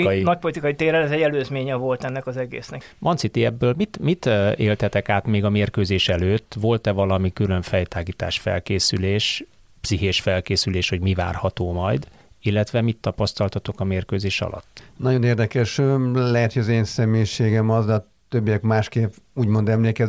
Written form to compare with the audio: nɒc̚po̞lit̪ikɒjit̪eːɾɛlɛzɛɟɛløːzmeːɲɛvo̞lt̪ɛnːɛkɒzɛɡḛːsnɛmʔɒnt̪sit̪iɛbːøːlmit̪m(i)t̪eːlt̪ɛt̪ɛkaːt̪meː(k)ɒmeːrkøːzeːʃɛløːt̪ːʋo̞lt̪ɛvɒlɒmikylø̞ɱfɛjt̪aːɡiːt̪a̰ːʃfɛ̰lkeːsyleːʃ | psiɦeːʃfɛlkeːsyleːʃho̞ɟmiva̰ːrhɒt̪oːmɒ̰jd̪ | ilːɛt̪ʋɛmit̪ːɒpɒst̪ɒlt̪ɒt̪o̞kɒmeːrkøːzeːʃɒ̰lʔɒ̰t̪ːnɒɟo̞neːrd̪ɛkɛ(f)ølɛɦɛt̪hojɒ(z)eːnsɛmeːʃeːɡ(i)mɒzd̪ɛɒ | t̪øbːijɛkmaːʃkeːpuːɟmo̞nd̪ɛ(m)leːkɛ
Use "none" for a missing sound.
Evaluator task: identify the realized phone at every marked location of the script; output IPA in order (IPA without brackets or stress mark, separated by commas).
i, ɡ, ʃ, z, ɛ, m